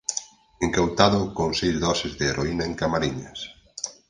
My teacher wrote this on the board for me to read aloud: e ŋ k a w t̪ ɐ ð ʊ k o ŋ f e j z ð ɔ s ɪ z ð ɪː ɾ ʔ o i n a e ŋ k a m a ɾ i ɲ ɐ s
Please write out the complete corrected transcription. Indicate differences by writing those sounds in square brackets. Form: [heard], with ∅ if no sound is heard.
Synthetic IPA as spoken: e ŋ k a w t̪ [a] ð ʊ k o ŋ [s] e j z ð ɔ s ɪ z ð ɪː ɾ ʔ o i n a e ŋ k a m a ɾ i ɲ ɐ s

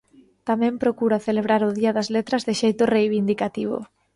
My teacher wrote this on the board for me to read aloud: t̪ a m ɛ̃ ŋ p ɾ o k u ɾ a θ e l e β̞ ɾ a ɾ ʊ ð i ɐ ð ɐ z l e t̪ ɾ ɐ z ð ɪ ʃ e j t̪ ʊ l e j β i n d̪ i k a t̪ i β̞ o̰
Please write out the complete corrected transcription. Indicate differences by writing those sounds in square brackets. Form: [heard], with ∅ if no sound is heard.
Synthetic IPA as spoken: t̪ a m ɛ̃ [m] p ɾ o k u ɾ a θ e l e β̞ ɾ a ɾ ʊ ð i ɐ ð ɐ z l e t̪ ɾ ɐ z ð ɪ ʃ e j t̪ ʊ [r] e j β i n d̪ i k a t̪ i β̞ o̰

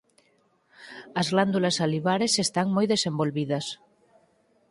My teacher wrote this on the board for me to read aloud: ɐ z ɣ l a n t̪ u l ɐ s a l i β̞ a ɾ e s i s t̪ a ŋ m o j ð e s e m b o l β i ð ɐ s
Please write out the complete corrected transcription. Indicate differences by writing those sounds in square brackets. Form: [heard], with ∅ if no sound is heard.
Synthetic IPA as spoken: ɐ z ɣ l a n [d̪] u l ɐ s a l i β̞ a ɾ e s [e] s t̪ a ŋ m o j ð e s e m b o l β i ð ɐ s

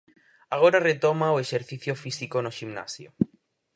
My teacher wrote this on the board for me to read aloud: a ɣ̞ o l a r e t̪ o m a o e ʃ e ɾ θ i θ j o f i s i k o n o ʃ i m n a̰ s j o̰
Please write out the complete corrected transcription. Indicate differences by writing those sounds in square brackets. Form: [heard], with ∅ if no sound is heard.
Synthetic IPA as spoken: a ɣ̞ o [ɾ] a r e t̪ o m a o e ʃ e ɾ θ i θ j o f i s i k o n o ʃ i m n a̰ s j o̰

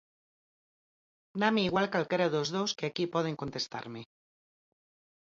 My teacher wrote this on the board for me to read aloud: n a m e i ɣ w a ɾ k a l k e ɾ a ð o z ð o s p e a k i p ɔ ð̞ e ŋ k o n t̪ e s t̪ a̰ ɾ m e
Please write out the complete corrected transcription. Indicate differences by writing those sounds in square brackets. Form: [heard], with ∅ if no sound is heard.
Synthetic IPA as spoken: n a m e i ɣ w a [l] k a l k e ɾ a ð o z ð o s [k] e a k i p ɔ ð̞ e ŋ k o n t̪ e s t̪ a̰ ɾ m e

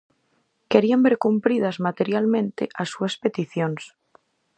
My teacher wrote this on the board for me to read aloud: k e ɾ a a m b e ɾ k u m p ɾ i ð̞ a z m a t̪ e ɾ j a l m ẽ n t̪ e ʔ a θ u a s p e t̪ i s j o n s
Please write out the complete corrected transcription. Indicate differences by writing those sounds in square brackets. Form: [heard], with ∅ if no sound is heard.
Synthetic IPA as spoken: k e ɾ [i] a m b e ɾ k u m p ɾ i ð̞ a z m a t̪ e ɾ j a l m ẽ n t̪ e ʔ a [s] u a s p e t̪ i [θ] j o n s

